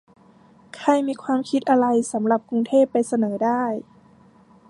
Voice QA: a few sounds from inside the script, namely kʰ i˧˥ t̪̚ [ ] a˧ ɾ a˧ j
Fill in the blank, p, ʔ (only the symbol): ʔ